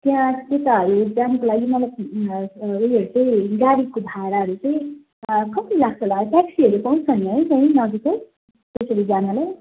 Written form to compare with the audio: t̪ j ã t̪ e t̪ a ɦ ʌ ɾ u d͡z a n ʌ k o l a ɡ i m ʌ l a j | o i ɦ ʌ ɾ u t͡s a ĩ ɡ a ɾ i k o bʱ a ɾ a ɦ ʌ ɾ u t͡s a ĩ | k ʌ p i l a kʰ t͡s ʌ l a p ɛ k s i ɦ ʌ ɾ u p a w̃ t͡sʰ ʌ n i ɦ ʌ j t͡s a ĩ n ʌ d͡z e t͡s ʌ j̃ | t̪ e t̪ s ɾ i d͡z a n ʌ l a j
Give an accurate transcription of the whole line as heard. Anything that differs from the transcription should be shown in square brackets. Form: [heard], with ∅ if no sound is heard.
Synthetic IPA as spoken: t̪ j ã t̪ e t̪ a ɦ ʌ ɾ u d͡z a n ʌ k o l a ɡ i m ʌ l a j | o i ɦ ʌ ɾ u t͡s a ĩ ɡ a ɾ i k o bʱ a ɾ a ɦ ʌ ɾ u t͡s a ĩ | k ʌ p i l a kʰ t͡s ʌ l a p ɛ k s i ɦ ʌ ɾ u p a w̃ t͡sʰ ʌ n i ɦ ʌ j t͡s a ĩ n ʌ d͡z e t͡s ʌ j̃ | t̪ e [∅] s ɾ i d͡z a n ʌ l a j